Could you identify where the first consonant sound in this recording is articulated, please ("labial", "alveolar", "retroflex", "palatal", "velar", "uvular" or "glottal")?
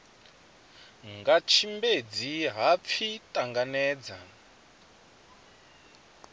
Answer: velar